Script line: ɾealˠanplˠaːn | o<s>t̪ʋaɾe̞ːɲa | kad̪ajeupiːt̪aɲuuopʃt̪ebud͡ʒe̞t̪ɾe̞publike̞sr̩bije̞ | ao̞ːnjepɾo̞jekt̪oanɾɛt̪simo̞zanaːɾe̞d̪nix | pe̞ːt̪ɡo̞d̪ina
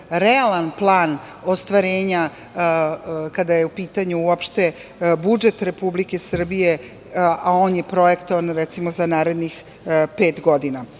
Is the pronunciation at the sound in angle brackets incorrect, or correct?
correct